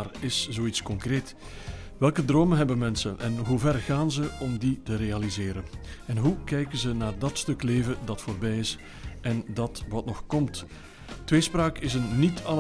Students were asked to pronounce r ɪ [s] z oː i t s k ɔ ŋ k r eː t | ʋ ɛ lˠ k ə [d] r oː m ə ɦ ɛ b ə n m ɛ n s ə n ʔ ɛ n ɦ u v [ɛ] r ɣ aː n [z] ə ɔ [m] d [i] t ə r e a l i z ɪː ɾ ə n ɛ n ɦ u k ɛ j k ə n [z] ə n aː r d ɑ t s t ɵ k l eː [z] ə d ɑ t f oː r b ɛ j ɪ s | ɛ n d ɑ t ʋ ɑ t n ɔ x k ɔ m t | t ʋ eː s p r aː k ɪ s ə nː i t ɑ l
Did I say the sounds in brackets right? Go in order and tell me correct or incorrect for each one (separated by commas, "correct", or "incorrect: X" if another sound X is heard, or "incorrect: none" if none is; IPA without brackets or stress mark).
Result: correct, correct, correct, correct, correct, correct, correct, incorrect: v